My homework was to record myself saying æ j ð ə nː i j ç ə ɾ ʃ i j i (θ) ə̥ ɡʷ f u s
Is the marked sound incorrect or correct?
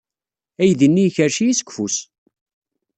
incorrect